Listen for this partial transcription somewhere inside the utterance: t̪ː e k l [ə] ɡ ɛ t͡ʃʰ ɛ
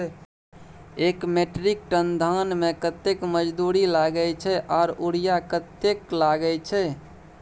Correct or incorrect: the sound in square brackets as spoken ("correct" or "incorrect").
incorrect